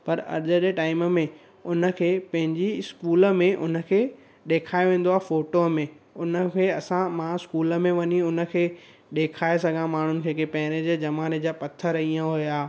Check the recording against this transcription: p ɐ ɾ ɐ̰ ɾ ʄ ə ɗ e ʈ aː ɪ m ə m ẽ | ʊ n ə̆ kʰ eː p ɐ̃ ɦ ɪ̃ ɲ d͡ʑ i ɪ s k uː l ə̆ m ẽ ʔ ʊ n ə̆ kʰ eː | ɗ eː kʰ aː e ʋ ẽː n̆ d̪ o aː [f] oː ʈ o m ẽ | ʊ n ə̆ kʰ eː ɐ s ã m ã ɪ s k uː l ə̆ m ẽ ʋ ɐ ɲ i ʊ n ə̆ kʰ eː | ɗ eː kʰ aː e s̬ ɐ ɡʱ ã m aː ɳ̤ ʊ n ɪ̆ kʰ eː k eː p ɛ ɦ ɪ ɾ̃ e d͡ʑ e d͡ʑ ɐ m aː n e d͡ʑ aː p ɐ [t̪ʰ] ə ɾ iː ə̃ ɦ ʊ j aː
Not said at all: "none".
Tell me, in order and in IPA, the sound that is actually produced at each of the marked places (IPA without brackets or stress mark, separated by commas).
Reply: f, t̪ʰ